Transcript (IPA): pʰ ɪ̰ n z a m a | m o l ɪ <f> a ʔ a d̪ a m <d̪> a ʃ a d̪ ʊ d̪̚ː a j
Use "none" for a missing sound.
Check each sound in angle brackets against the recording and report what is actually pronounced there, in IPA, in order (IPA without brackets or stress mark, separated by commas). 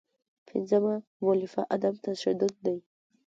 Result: f, t̪